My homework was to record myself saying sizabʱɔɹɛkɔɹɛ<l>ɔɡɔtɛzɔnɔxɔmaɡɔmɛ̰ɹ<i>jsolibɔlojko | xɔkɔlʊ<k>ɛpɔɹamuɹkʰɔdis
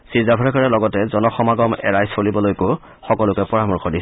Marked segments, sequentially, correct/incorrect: correct, incorrect, correct

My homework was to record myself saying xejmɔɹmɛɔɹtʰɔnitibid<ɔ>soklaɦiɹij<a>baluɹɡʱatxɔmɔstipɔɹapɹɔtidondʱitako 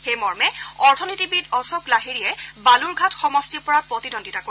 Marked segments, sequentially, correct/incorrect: correct, incorrect

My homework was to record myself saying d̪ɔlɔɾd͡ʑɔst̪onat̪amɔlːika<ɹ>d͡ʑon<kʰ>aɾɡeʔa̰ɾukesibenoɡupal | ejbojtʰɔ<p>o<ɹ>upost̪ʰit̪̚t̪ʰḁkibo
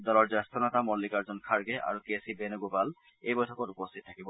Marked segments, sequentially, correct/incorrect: incorrect, correct, incorrect, incorrect

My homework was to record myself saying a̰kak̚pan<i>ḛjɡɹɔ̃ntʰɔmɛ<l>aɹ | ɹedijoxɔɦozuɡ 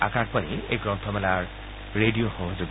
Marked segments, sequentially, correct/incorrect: correct, correct

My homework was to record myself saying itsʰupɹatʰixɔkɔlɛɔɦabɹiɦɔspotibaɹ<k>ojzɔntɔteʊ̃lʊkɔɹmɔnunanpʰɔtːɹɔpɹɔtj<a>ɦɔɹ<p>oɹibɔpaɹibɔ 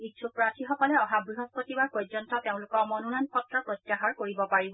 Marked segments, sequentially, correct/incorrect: incorrect, correct, incorrect

